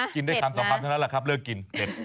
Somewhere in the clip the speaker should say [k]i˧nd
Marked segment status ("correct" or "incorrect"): correct